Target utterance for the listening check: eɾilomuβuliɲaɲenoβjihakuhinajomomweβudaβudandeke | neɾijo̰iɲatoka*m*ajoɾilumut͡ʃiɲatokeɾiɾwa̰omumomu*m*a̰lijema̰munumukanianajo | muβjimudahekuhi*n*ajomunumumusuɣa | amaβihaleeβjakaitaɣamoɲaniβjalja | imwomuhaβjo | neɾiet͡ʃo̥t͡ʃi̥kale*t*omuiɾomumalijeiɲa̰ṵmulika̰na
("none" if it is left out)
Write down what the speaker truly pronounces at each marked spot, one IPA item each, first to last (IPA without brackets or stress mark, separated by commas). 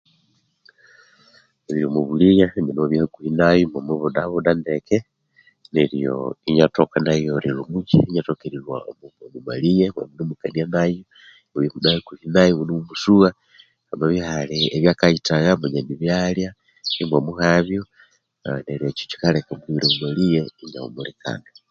n, m, n, k